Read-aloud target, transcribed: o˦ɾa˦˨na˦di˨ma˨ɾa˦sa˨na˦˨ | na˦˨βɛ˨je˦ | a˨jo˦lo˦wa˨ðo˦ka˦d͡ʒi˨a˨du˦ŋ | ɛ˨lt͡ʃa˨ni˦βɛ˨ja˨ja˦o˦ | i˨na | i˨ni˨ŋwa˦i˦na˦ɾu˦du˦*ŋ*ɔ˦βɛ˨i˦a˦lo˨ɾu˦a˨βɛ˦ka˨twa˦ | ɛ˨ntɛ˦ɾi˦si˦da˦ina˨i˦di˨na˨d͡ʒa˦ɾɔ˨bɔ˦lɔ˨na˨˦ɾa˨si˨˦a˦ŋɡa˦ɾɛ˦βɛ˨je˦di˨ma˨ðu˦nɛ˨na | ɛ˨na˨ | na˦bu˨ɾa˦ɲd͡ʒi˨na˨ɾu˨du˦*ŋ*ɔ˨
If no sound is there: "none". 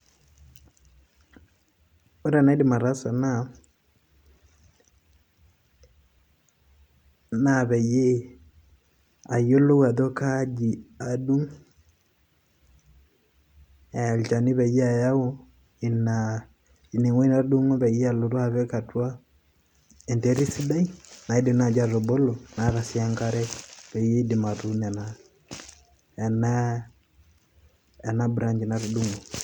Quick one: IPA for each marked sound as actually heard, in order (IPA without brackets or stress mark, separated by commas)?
ŋ, ŋ